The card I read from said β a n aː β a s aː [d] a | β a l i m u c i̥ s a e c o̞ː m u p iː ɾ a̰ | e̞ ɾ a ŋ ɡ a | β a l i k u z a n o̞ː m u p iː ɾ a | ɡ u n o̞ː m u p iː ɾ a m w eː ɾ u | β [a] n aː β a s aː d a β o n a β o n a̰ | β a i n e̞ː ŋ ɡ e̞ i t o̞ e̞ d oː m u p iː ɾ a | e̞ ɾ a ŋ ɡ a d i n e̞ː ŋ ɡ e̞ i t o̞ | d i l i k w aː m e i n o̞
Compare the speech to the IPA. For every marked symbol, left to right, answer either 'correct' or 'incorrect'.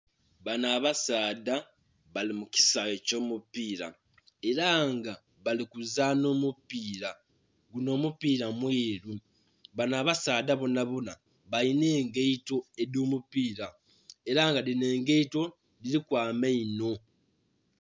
correct, correct

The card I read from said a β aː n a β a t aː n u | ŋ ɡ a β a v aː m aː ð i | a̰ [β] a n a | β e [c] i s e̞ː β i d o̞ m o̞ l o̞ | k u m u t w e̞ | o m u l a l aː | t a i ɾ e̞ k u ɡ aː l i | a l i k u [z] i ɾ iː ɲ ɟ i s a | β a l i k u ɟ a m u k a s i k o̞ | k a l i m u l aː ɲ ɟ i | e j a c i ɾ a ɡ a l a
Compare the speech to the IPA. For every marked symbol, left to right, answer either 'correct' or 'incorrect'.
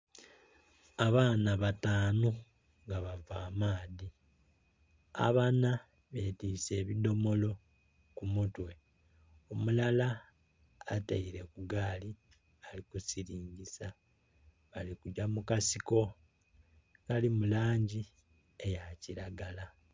correct, incorrect, incorrect

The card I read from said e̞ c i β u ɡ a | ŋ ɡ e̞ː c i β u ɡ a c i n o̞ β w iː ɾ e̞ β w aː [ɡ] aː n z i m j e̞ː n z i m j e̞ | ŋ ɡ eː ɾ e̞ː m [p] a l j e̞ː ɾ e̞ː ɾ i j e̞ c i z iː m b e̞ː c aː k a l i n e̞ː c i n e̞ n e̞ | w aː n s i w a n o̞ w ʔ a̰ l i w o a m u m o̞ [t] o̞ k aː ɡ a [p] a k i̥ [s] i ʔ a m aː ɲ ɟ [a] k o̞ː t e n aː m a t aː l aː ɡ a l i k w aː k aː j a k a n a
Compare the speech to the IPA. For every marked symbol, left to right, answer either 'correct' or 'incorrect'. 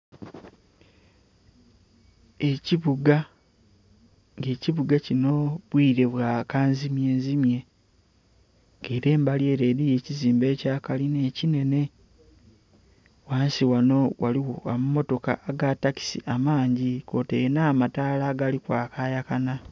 incorrect, incorrect, correct, incorrect, correct, incorrect

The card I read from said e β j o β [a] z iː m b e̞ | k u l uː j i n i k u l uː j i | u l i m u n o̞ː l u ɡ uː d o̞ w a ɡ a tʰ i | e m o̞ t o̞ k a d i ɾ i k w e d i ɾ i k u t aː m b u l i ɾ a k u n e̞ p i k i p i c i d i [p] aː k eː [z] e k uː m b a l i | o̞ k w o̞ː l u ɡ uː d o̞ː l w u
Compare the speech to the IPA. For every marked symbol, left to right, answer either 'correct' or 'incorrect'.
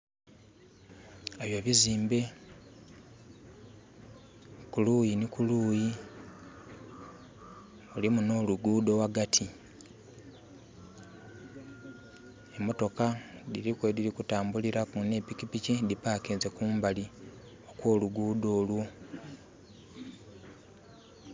incorrect, correct, correct

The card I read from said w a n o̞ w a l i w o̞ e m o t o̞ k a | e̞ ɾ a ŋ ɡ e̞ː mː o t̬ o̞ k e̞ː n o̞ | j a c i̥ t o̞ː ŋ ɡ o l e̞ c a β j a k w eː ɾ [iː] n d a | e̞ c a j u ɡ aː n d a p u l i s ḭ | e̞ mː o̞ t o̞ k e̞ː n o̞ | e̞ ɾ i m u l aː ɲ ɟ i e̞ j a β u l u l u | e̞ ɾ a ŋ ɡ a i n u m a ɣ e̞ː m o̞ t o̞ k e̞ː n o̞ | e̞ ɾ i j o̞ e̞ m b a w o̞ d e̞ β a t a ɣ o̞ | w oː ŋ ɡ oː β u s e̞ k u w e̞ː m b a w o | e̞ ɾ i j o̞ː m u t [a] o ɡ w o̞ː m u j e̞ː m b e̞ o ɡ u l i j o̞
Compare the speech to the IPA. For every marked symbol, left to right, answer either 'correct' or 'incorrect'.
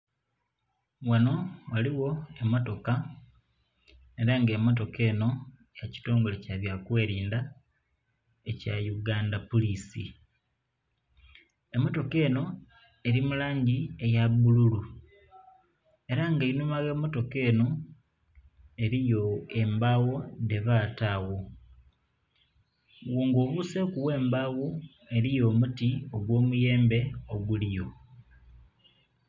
correct, incorrect

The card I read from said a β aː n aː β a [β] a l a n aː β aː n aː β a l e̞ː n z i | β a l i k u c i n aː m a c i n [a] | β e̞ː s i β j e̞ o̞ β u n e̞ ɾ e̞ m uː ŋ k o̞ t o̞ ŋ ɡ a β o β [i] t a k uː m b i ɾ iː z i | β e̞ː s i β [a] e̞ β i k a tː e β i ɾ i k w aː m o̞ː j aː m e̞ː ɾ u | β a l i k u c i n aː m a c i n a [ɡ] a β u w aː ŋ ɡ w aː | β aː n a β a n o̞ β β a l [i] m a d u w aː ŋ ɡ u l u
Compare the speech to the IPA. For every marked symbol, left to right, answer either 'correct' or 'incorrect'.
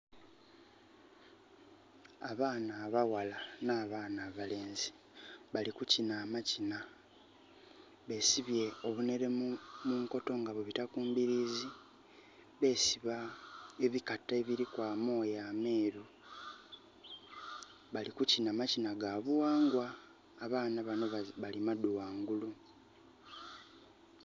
incorrect, correct, correct, correct, correct, correct

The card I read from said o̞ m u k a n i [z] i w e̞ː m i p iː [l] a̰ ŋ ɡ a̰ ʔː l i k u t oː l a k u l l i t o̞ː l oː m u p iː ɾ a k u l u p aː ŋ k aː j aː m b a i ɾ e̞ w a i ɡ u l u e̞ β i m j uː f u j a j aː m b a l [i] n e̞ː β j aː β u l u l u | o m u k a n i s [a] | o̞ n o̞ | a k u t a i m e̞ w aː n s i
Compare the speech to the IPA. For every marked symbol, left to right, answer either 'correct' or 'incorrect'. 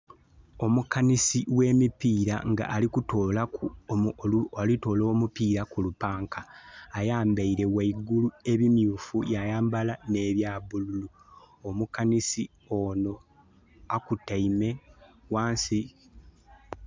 incorrect, incorrect, incorrect, incorrect

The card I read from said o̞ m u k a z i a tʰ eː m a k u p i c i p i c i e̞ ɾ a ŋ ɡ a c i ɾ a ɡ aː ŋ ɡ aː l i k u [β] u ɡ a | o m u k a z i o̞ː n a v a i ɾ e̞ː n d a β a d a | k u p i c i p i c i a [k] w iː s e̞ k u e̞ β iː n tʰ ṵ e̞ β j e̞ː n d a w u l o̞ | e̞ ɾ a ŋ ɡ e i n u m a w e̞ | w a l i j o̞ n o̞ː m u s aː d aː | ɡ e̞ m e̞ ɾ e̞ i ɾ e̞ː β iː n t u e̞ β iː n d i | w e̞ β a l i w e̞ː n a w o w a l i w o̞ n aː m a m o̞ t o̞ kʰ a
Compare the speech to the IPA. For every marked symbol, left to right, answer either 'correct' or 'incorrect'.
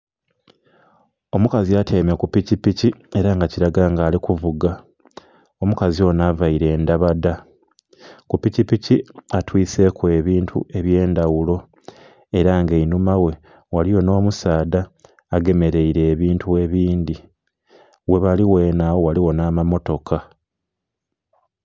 incorrect, incorrect

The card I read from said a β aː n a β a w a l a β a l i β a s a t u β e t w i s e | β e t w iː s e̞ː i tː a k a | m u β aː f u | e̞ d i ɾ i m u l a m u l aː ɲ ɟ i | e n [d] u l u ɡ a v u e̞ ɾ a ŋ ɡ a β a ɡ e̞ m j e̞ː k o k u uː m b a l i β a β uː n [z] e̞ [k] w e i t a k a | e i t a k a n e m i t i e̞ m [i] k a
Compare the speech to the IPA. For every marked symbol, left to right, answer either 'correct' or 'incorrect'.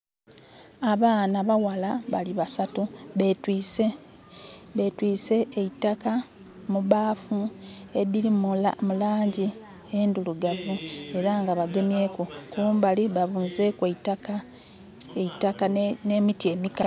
correct, correct, correct, correct

